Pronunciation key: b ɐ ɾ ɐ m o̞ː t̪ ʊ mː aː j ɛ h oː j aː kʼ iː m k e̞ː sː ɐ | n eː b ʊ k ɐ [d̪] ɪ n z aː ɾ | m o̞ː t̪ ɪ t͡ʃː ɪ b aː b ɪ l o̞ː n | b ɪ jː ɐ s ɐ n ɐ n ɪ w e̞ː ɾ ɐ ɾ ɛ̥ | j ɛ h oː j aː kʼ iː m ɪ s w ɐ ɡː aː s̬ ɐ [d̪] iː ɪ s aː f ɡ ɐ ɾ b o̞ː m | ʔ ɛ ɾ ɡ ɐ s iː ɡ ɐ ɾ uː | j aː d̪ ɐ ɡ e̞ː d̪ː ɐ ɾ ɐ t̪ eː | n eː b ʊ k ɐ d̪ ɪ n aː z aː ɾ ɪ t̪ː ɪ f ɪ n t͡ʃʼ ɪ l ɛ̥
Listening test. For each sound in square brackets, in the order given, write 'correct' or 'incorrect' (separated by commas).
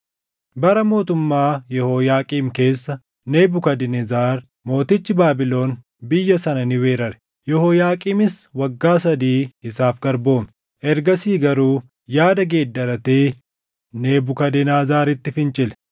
correct, correct